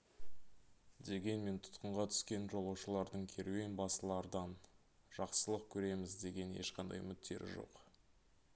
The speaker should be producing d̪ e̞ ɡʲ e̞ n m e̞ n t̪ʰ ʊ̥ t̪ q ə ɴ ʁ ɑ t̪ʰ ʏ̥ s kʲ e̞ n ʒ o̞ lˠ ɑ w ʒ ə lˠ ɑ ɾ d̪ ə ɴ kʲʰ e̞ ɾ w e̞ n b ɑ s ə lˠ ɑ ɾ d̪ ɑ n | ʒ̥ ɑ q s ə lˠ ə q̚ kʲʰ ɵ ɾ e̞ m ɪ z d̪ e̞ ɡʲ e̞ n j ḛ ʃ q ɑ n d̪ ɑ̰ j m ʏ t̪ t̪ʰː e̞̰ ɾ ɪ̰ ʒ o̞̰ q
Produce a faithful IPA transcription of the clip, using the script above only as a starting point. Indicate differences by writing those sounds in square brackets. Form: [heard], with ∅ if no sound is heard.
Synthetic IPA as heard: d̪ e̞ ɡʲ e̞ n m e̞ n t̪ʰ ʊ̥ t̪ q ə ɴ ʁ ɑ t̪ʰ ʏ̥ s kʲ e̞ n ʒ o̞ lˠ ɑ w [ʃ] ə lˠ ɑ ɾ d̪ ə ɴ kʲʰ e̞ ɾ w e̞ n b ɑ s ə lˠ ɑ ɾ d̪ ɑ n | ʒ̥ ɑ q s ə lˠ ə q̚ kʲʰ ɵ ɾ e̞ m ɪ z d̪ e̞ ɡʲ e̞ n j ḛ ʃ q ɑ n d̪ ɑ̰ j m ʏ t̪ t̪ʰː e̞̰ ɾ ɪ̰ ʒ o̞̰ q